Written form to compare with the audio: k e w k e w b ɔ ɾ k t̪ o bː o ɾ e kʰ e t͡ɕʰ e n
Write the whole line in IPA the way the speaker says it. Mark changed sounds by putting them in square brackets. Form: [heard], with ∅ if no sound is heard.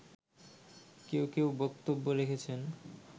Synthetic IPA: k e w k e w b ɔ [∅] k t̪ o bː o ɾ e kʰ e t͡ɕʰ e n